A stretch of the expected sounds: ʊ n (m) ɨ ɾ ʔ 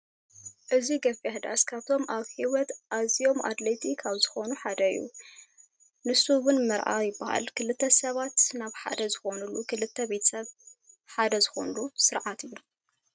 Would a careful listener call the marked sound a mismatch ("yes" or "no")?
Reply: no